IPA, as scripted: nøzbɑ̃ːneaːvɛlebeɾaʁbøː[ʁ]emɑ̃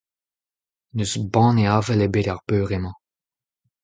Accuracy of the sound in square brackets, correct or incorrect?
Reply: correct